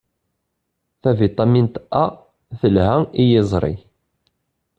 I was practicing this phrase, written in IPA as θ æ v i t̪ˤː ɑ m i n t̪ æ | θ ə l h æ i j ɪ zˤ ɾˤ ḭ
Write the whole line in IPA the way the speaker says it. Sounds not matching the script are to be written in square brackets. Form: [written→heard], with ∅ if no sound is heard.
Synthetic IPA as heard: θ æ v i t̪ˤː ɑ m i n t̪ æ | θ ə l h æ i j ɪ zˤ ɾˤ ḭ